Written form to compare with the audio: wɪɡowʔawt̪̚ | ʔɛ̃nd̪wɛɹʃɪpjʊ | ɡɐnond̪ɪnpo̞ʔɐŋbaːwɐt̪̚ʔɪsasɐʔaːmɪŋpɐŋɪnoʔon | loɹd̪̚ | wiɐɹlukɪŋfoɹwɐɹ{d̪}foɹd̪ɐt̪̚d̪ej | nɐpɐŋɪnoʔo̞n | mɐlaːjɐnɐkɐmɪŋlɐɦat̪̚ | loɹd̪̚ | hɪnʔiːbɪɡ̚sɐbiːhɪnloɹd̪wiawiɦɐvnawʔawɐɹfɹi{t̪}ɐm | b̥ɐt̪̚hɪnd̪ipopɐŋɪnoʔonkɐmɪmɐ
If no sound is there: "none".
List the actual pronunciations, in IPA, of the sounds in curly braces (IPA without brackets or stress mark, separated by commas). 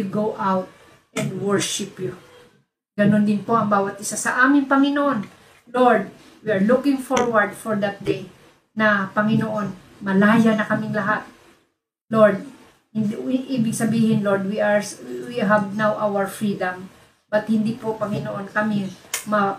d̪, d̪